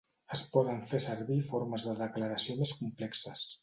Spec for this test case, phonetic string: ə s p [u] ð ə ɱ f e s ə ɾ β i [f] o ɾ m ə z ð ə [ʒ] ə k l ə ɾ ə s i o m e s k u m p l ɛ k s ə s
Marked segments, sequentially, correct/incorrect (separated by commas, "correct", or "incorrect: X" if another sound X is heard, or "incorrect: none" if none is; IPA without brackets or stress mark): incorrect: ɔ, correct, incorrect: ð